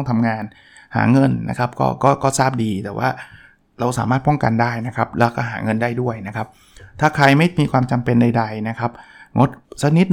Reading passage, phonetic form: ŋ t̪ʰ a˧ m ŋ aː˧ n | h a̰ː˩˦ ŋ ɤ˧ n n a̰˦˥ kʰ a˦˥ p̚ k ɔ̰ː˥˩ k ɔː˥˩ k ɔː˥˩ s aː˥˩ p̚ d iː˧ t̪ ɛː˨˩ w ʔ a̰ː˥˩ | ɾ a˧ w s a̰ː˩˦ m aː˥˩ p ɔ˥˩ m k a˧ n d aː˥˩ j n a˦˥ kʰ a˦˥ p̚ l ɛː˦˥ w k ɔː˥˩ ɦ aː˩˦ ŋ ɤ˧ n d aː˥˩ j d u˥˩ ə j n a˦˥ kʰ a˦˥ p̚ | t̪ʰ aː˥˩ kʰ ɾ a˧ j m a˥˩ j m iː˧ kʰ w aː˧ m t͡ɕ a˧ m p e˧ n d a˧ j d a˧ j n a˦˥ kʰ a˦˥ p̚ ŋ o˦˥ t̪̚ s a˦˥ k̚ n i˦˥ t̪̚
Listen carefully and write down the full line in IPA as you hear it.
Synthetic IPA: ŋ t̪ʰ a˧ m ŋ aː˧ n | h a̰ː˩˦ ŋ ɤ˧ n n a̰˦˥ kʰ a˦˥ p̚ k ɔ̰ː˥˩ k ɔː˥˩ k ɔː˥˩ s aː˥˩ p̚ d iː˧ t̪ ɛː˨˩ w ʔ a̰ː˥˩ | ɾ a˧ w s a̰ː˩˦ m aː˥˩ p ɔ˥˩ ŋ k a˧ n d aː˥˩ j n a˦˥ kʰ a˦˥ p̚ l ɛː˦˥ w k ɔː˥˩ ɦ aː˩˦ ŋ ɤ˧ n d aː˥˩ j d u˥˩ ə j n a˦˥ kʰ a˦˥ p̚ | t̪ʰ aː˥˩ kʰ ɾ a˧ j m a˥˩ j m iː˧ kʰ w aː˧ m t͡ɕ a˧ m p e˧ n d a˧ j d a˧ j n a˦˥ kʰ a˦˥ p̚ ŋ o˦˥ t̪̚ s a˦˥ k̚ n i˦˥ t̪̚